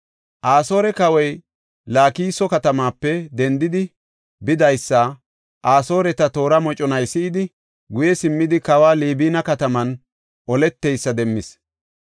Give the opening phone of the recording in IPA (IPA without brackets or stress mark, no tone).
ʔ